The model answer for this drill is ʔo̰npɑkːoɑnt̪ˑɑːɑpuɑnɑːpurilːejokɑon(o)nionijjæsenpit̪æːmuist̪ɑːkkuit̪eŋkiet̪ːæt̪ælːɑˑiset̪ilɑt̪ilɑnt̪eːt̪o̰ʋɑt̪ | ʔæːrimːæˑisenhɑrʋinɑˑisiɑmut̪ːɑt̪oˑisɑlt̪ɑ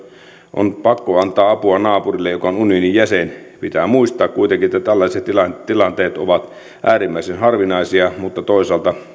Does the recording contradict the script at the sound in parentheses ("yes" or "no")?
yes